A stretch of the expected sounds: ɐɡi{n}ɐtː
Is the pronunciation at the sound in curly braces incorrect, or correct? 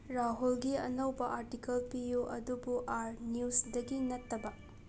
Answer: correct